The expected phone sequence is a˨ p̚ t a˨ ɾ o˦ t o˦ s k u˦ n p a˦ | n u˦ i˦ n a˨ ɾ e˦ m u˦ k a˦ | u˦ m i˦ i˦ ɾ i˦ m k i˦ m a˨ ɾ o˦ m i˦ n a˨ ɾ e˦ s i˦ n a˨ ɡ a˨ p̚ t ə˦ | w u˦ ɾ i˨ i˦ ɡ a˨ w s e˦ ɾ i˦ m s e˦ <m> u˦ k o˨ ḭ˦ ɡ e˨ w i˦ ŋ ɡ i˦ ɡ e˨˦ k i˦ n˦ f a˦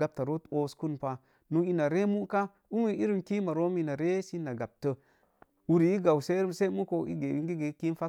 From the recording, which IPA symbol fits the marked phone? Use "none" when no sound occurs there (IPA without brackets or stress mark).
m